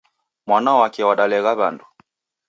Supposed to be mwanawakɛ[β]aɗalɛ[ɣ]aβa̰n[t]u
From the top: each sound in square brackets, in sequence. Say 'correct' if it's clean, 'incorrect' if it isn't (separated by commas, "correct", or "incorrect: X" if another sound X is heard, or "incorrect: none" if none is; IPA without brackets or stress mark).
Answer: incorrect: w, correct, incorrect: d